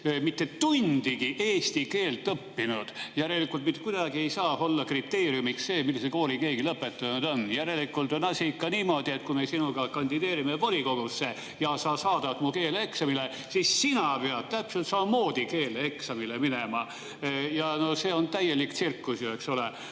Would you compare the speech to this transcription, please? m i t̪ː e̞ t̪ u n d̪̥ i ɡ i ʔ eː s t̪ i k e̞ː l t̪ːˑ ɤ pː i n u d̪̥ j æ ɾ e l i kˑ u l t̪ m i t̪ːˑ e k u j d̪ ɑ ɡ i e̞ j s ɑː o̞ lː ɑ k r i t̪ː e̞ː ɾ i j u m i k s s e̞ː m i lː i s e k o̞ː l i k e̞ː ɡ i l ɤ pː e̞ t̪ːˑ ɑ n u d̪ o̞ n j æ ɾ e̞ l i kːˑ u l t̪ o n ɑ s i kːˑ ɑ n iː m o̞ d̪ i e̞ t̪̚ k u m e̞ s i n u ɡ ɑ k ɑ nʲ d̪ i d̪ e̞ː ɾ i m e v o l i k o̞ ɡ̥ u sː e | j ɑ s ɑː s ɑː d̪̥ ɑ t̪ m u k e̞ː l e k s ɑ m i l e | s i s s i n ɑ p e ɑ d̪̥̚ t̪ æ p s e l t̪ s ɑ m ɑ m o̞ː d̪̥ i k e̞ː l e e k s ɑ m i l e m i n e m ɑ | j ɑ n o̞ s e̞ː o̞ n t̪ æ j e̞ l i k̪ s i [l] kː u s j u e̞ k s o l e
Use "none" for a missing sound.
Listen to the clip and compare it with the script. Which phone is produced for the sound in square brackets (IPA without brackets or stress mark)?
r